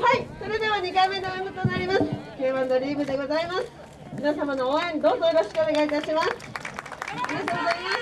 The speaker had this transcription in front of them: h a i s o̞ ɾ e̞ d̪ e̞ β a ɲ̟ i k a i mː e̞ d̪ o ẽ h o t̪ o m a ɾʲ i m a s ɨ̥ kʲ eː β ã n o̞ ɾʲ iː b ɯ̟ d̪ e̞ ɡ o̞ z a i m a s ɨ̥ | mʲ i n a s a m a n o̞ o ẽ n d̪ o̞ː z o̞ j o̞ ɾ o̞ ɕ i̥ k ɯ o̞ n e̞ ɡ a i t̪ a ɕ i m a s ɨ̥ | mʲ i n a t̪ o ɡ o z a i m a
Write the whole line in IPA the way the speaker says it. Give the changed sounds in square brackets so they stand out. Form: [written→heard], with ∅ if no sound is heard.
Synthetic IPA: h a i s o̞ ɾ e̞ d̪ e̞ β a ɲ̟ i k a i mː e̞ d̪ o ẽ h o t̪ o [m→n] a ɾʲ i m a s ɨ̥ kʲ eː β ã n o̞ ɾʲ iː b ɯ̟ d̪ e̞ ɡ o̞ z a i m a s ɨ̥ | mʲ i n a s a m a n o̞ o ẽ n d̪ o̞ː z o̞ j o̞ ɾ o̞ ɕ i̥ k ɯ o̞ n e̞ ɡ a i t̪ a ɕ i m a s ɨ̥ | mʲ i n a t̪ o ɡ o z a i m a

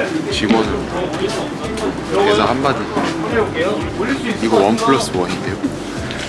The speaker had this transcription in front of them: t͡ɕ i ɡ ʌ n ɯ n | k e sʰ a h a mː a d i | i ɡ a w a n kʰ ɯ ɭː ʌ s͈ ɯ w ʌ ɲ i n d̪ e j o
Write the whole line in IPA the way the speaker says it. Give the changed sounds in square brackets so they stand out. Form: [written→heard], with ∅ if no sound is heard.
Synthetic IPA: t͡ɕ i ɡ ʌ n ɯ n | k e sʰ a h a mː a d i | i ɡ [a→ʌ] w [a→ʌ] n [kʰ→pʰ] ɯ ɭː ʌ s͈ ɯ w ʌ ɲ i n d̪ e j o

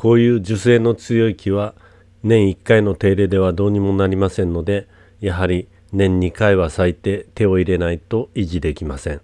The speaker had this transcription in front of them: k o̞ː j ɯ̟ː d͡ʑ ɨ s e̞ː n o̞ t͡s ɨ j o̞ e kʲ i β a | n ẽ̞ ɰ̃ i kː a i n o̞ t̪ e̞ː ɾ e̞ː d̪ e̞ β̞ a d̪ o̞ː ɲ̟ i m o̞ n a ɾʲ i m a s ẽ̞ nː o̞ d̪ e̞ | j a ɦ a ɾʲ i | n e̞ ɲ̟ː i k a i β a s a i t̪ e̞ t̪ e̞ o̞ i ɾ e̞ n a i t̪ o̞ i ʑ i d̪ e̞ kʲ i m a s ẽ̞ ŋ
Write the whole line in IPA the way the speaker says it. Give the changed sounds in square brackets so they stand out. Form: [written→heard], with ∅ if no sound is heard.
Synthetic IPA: k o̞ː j ɯ̟ː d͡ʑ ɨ s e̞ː n o̞ t͡s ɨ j o̞ [e→i] kʲ i β a | n ẽ̞ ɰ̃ i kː a i n o̞ t̪ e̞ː ɾ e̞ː d̪ e̞ β̞ a d̪ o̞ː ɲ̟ i m o̞ n a ɾʲ i m a s ẽ̞ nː o̞ d̪ e̞ | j a ɦ a ɾʲ i | n [e̞→ẽ̞] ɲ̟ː i k a i β a s a i t̪ e̞ t̪ e̞ o̞ i ɾ e̞ n a i t̪ o̞ i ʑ i d̪ e̞ kʲ i m a s ẽ̞ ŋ

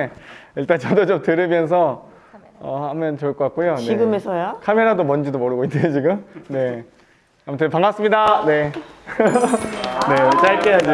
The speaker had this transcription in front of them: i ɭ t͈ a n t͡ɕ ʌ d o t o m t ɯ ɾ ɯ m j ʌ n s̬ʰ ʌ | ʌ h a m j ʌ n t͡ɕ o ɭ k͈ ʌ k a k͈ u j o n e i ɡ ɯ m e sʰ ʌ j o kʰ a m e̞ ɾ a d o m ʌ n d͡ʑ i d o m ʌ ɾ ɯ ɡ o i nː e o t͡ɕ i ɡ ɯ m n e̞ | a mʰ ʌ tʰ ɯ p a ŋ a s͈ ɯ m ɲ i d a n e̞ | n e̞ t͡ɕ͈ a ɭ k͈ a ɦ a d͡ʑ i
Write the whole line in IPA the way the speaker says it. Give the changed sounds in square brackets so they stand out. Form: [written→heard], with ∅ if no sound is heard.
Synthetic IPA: i ɭ t͈ a n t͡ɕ ʌ d o [t→t͡ɕ] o m t ɯ ɾ ɯ m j ʌ n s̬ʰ ʌ | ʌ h a m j ʌ n t͡ɕ o ɭ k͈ ʌ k a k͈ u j o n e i ɡ ɯ m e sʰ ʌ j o kʰ a m e̞ ɾ a d o m ʌ n d͡ʑ i d o m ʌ ɾ ɯ ɡ o i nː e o t͡ɕ i ɡ ɯ m n e̞ | a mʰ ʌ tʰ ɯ p a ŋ a s͈ ɯ m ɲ i d a n e̞ | n e̞ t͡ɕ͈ a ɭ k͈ [a→e] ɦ a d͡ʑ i

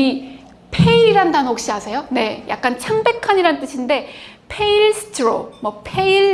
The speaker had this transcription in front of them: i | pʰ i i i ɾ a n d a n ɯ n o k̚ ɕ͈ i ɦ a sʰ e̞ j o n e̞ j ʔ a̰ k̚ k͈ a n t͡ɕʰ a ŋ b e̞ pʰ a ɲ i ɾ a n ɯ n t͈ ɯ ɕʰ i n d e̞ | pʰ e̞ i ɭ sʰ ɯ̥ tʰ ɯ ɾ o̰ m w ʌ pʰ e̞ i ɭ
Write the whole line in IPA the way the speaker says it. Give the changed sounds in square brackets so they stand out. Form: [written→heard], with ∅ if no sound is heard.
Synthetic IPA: i | pʰ [i→e] i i ɾ a n d a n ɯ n o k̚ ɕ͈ i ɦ a sʰ e̞ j o n e̞ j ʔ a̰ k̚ k͈ a n t͡ɕʰ a ŋ b e̞ [pʰ→kʰ] a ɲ i ɾ a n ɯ n t͈ ɯ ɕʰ i n d e̞ | pʰ e̞ i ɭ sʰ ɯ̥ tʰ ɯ ɾ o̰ m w ʌ pʰ e̞ i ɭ

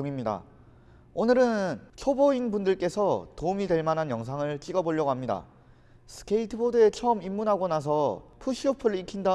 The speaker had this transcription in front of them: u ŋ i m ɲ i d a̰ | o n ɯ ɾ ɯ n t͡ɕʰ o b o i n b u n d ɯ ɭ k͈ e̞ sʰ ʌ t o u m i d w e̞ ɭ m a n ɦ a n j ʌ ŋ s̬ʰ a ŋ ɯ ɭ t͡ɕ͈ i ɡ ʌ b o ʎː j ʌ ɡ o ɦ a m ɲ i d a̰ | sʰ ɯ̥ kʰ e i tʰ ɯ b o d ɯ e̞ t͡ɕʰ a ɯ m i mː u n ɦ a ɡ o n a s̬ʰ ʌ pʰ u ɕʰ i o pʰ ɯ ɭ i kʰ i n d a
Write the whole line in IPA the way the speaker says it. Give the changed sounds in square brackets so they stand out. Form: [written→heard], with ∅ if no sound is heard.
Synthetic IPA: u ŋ i m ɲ i d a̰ | o n ɯ ɾ ɯ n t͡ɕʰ o b o i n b u n d ɯ ɭ k͈ e̞ sʰ ʌ t o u m i d w e̞ ɭ m a n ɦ a n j ʌ ŋ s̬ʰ a ŋ ɯ ɭ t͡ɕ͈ i ɡ ʌ b o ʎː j ʌ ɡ o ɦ a m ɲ i d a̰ | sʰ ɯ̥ kʰ e i tʰ ɯ b o d ɯ e̞ t͡ɕʰ [a→ʌ] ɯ m i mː u n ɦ a ɡ o n a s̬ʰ ʌ pʰ u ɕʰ i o pʰ ɯ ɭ i kʰ i n d a

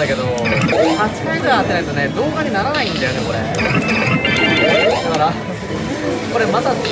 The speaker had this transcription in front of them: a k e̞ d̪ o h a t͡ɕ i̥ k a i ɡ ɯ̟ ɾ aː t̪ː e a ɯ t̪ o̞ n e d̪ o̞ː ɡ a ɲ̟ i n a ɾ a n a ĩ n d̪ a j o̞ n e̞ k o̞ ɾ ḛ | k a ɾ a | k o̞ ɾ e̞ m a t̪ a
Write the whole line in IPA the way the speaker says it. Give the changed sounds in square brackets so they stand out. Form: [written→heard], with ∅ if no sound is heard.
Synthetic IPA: a k e̞ d̪ o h a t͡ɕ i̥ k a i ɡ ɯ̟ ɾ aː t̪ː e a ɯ t̪ o̞ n e d̪ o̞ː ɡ a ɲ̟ i n a ɾ a n a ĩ n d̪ a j o̞ n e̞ k o̞ ɾ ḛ | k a ɾ a | k o̞ ɾ e̞ m a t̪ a

